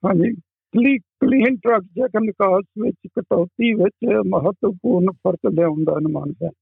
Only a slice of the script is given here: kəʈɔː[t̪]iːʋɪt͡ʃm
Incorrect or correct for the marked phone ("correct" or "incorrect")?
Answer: correct